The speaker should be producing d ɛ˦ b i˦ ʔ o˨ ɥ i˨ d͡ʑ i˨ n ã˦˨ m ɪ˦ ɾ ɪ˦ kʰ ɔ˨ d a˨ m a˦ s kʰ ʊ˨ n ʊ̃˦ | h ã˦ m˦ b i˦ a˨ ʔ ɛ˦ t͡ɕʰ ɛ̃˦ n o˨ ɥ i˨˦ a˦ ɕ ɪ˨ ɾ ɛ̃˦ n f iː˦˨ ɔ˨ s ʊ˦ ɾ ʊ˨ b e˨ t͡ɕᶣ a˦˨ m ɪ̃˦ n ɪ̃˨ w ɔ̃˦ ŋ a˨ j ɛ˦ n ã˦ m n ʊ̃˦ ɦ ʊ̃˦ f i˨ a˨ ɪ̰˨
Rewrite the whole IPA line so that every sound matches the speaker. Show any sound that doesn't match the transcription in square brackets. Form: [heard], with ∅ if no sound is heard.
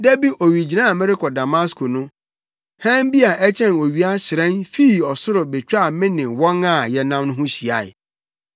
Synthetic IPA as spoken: d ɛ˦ b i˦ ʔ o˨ ɥ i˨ d͡ʑ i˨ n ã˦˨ m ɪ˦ ɾ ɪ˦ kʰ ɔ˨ d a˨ m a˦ s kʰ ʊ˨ n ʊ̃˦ | h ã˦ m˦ b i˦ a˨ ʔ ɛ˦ t͡ɕʰ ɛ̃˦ n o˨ ɥ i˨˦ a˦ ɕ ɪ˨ ɾ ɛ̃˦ n f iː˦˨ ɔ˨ s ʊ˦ ɾ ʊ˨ b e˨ t͡ɕᶣ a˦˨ m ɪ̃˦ n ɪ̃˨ w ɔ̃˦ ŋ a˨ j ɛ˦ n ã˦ m n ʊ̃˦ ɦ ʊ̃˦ [ɕ] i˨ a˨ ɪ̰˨

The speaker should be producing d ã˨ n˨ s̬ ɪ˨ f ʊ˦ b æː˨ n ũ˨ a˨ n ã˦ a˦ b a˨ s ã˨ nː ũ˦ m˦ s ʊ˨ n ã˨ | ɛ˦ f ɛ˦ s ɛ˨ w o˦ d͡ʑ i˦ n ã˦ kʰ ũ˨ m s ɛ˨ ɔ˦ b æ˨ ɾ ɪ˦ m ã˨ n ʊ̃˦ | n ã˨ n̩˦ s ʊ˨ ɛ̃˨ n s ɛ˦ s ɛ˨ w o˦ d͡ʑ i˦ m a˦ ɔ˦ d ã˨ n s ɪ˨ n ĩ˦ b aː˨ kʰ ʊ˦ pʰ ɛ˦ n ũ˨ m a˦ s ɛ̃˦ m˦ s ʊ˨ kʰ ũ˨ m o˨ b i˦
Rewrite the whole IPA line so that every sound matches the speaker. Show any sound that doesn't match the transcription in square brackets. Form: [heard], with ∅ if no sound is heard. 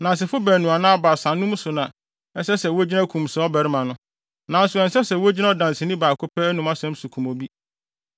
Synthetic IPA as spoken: [n] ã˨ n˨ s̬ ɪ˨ f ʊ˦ b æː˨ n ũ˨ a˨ n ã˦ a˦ b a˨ s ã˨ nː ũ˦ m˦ s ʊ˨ n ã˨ | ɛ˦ [s] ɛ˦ s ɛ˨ w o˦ d͡ʑ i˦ n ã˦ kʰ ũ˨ m s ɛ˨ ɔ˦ b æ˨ ɾ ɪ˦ m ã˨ n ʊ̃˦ | n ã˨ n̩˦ s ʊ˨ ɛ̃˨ n s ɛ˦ s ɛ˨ w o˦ d͡ʑ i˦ [n] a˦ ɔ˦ d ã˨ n s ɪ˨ n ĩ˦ b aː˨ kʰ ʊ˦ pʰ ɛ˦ n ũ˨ m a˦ s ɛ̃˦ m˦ s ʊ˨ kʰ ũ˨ m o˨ b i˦

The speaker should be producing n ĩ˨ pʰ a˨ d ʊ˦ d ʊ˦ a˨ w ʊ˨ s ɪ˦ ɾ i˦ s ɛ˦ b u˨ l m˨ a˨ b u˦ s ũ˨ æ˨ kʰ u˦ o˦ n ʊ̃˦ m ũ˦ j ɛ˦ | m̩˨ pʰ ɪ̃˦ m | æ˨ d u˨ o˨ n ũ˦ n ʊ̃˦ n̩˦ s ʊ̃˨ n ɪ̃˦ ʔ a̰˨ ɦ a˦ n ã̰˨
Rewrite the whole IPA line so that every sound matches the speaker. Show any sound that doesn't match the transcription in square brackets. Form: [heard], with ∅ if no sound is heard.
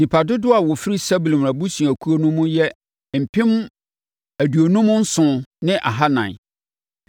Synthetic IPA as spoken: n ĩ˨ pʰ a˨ d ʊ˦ d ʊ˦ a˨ w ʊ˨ [f] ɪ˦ ɾ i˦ s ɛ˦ b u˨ l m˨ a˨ b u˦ s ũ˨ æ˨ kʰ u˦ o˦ n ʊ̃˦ m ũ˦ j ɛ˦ | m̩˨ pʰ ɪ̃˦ m | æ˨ d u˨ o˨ n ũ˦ [m] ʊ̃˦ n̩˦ s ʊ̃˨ n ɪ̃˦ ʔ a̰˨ ɦ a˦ n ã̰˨

